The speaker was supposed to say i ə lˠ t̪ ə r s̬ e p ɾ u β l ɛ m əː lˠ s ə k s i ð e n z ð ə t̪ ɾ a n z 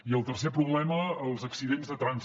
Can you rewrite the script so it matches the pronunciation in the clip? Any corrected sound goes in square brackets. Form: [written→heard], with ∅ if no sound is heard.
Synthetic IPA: i ə lˠ t̪ ə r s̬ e p ɾ u β l ɛ m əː lˠ [s→z] ə k s i ð e n z ð ə t̪ ɾ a n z

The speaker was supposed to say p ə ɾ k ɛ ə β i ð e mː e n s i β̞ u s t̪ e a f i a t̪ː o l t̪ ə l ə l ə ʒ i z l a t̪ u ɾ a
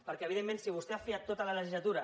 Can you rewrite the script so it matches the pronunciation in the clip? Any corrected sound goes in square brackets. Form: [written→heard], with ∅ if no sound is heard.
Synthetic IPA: p ə ɾ k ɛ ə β i ð e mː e n s i β̞ u s t̪ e a f i a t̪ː o [l→∅] t̪ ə l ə l ə ʒ i z l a t̪ u ɾ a

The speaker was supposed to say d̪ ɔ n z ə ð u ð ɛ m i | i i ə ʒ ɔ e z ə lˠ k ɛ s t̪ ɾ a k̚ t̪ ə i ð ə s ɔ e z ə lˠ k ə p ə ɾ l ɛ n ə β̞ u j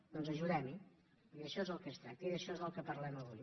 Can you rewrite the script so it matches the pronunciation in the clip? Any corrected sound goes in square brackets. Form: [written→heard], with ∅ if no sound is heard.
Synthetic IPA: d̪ ɔ n z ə [ð→ʒ] u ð ɛ m i | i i ə [ʒ→ʃ] ɔ e z ə lˠ k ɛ s t̪ ɾ a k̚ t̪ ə i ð ə [s→ʃ] ɔ e z ə lˠ k ə p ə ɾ l ɛ [n→m] ə β̞ u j

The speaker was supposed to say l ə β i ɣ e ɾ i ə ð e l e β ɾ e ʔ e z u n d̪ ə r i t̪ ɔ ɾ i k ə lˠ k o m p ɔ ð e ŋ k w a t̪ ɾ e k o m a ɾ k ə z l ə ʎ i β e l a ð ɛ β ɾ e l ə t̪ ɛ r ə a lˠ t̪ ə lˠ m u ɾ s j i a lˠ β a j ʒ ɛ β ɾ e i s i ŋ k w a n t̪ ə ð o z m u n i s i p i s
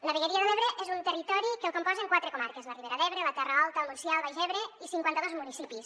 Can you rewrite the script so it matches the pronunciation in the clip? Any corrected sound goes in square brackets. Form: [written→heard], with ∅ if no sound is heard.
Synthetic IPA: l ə β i ɣ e ɾ i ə ð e l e β ɾ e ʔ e z u n [d̪→t̪] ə r i t̪ ɔ ɾ i k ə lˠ k o m p ɔ [ð→z] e ŋ k w a t̪ ɾ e k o m a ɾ k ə z l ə [ʎ→r] i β e [l→ɾ] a ð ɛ β ɾ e l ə t̪ ɛ r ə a lˠ t̪ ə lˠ m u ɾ s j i a lˠ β a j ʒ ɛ β ɾ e i s i ŋ k w a n t̪ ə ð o z m u n i s i p i s

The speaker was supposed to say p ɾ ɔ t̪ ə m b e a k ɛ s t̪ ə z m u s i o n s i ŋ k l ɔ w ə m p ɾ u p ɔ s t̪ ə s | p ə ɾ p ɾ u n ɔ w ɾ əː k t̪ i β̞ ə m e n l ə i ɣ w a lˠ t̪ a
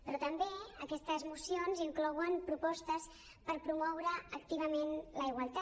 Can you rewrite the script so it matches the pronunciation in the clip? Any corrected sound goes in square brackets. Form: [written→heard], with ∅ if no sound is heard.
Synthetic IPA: p ɾ ɔ t̪ ə m b e [a→ə] k ɛ s t̪ ə z m u s i o n [s→z] i ŋ k l ɔ w ə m p ɾ u p ɔ s t̪ ə s | p ə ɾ p ɾ u [n→m] ɔ w ɾ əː k t̪ i β̞ ə m e n l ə i ɣ w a lˠ t̪ a

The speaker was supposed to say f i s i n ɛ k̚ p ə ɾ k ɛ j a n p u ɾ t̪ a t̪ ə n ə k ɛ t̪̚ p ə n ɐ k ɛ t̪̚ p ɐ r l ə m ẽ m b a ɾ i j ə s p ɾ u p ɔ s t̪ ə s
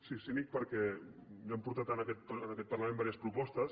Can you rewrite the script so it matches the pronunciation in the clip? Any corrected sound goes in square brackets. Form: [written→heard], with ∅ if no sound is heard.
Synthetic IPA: [f→s] i s i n [ɛ→i] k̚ p ə ɾ k ɛ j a [n→m] p u ɾ t̪ a t̪ ə n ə k ɛ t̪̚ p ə n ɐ k ɛ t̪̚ p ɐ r l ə m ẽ m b a ɾ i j ə s p ɾ u p ɔ s t̪ ə s

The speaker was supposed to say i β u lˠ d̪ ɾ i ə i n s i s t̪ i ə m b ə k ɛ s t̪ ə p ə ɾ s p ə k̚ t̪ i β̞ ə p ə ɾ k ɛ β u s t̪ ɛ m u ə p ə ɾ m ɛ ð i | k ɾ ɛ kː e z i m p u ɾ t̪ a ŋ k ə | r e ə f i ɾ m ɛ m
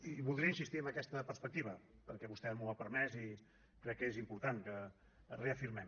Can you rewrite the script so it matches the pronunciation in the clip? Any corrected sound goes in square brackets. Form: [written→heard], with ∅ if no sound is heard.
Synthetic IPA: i β u lˠ d̪ ɾ i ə i n s i s t̪ i ə m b ə k ɛ s t̪ ə p ə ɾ s p ə k̚ t̪ i β̞ ə p ə ɾ k ɛ β u s t̪ ɛ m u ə p ə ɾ m ɛ [ð→z] i | k ɾ ɛ kː e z i m p u ɾ t̪ a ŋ k ə | r e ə f i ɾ m ɛ m

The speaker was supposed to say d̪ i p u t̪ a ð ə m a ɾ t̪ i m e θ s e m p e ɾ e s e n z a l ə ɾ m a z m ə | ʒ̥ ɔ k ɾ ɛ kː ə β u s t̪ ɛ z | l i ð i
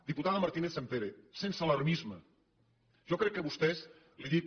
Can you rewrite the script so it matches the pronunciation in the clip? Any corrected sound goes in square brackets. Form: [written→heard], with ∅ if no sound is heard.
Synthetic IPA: d̪ i p u t̪ a ð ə m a ɾ t̪ i [m→n] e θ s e m p e ɾ e s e n [z→s] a l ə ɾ m [a→i] z m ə | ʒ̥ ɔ k ɾ ɛ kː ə β u s t̪ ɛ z | l i ð i

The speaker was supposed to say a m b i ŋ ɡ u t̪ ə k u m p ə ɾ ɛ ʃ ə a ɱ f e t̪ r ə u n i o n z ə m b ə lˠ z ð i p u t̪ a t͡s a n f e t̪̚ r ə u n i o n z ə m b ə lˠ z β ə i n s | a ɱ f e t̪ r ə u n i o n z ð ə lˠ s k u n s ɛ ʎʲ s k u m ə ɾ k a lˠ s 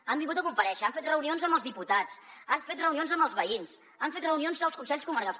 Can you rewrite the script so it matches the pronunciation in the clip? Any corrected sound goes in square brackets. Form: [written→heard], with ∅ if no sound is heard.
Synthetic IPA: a m b i ŋ ɡ u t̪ ə k u m p ə ɾ ɛ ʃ ə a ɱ f e t̪ r ə u n i o n z ə m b ə lˠ z ð i p u t̪ a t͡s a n f e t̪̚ r ə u n i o n z ə m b ə lˠ z β ə i n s | a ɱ f e t̪ r ə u n i o n z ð ə lˠ s k u n s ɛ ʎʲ s k u m ə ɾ k a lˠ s

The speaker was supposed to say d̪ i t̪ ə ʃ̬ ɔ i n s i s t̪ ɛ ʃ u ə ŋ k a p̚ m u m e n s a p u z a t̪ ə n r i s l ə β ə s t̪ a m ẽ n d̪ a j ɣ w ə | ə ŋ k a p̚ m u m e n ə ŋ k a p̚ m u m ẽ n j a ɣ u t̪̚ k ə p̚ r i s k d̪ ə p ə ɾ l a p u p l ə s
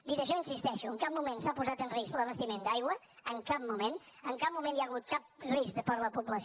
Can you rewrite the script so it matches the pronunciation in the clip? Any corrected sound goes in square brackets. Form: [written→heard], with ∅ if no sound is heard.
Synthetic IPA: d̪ i t̪ ə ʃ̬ ɔ i n s i s t̪ ɛ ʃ u ə ŋ k a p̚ m u m e n s a p u z a t̪ ə n r i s l ə β ə s t̪ [a→i] m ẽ n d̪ a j ɣ w ə | ə ŋ k a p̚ m u m e n ə ŋ k a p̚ m u m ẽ n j a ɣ u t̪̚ k [ə→a] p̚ r i s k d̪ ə p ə ɾ l [a→ə] p u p l ə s

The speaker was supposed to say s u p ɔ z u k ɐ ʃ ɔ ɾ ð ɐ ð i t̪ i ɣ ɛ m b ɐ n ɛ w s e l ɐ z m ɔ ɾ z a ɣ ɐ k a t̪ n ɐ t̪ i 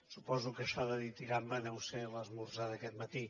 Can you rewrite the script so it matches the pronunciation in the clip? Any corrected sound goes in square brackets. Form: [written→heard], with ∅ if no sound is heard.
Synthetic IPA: s u p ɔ z u k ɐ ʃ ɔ [ɾ→∅] ð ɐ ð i t̪ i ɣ [ɛ→a] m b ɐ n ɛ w s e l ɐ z m [ɔ→u] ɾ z a [ɣ→ð] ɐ k [a→ɛ] t̪ [n→m] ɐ t̪ i

